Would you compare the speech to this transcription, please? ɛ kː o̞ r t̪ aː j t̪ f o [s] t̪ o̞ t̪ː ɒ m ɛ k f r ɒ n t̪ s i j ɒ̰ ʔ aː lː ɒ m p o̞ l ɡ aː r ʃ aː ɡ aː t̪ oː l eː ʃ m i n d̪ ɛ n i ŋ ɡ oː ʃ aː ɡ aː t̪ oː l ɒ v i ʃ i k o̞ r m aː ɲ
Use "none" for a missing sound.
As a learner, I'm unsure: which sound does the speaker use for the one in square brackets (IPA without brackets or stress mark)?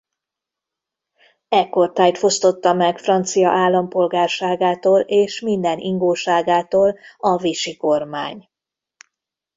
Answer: s